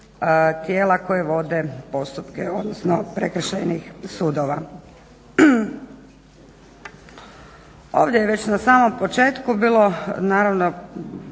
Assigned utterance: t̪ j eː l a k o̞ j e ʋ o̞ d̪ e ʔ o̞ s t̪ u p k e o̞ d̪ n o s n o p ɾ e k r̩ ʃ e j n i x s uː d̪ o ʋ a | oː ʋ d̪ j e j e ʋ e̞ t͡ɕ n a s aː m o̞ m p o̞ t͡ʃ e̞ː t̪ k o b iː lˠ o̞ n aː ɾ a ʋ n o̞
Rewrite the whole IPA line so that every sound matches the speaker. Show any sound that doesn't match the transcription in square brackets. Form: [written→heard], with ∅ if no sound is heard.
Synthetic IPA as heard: t̪ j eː l a k o̞ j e ʋ o̞ d̪ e [ʔ→p] o̞ s t̪ u p k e o̞ d̪ n o s n o p ɾ e k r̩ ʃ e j n i x s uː d̪ o ʋ a | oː ʋ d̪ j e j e ʋ e̞ t͡ɕ n a s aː m o̞ m p o̞ t͡ʃ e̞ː t̪ k [o→u] b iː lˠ o̞ n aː ɾ a ʋ n o̞